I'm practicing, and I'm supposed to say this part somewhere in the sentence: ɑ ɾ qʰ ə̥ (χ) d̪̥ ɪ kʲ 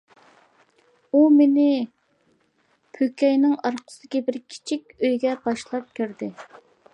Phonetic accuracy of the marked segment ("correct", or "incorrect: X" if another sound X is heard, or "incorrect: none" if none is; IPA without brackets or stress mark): incorrect: s